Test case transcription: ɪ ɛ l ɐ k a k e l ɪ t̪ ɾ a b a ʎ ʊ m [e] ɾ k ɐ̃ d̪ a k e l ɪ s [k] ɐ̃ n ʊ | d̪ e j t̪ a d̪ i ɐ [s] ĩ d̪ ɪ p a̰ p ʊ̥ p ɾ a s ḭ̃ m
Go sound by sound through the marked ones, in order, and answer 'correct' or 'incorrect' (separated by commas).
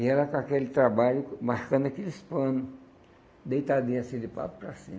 incorrect, incorrect, correct